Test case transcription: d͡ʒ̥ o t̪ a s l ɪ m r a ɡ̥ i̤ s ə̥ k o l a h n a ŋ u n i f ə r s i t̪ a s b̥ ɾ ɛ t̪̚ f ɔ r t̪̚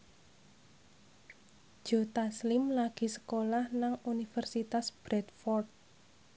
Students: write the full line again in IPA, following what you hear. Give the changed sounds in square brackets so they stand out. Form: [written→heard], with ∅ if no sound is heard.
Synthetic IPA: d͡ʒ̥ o t̪ a s l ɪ m [r→l] a ɡ̥ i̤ s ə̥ k o l a h n a ŋ u n i f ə r s i t̪ a s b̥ ɾ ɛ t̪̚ f ɔ r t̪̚